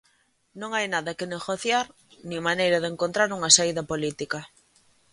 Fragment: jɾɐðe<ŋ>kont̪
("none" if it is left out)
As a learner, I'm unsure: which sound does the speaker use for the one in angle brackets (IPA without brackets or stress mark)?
ŋ